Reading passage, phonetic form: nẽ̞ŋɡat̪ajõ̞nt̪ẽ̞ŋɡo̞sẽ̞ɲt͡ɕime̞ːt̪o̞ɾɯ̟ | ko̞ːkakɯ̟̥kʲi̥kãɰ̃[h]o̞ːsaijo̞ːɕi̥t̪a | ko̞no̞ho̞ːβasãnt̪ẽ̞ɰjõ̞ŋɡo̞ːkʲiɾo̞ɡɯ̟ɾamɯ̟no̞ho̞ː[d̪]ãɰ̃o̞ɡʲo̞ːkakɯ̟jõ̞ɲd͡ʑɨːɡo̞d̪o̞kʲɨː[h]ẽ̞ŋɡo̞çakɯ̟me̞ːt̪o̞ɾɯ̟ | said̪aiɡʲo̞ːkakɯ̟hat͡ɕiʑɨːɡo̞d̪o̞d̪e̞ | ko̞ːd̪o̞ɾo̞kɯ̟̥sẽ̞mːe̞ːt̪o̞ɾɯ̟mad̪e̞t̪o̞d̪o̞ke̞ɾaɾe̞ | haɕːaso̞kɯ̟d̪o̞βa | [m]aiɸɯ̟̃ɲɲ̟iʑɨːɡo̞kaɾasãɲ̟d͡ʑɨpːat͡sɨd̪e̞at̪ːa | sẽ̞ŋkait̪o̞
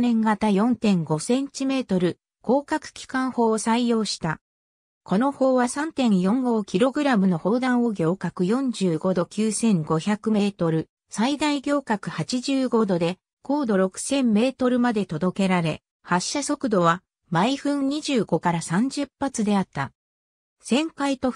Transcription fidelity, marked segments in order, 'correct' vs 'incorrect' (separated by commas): correct, correct, incorrect, correct